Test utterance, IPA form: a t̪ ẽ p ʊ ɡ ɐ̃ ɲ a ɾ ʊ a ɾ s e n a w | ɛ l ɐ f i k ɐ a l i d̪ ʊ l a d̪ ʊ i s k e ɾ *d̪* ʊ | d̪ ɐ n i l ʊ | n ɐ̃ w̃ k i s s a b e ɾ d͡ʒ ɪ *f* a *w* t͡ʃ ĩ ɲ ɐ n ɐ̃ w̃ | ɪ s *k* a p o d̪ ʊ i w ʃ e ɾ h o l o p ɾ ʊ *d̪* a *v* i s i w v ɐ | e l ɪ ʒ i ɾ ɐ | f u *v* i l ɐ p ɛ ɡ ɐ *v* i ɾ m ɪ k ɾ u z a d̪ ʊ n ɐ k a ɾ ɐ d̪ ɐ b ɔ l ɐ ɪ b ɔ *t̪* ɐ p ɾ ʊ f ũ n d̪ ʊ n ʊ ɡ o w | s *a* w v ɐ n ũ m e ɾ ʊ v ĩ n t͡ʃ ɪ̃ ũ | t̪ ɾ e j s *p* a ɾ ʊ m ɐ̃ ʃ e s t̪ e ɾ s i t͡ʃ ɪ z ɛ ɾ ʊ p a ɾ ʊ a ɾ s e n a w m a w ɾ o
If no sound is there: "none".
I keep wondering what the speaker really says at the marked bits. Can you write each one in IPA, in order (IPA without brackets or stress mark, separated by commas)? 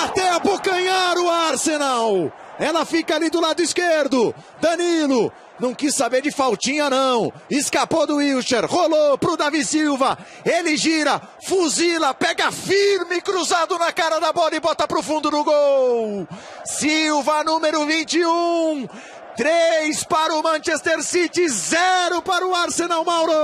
d̪, f, w, k, d̪, v, z, f, t̪, i, p